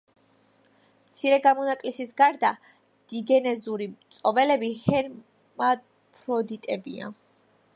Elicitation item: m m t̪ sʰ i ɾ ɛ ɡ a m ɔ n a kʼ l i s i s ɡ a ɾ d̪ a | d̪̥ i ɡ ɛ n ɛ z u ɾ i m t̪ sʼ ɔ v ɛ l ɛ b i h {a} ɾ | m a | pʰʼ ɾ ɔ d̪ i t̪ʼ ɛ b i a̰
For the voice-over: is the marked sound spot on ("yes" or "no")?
no